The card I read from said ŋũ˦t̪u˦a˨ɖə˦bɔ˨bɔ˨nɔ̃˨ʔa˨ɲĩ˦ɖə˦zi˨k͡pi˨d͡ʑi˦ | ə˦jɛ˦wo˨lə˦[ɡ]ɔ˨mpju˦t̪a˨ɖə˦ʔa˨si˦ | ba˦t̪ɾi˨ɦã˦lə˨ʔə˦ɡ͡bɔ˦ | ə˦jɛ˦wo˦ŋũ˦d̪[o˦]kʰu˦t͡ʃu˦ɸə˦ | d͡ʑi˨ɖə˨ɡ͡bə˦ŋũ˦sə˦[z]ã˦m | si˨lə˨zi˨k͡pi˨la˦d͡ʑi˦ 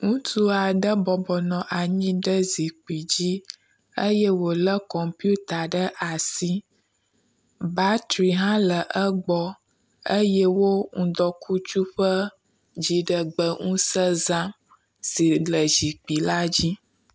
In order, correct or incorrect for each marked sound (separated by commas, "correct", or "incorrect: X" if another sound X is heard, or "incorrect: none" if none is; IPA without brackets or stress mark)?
incorrect: k, incorrect: ɔ˦, correct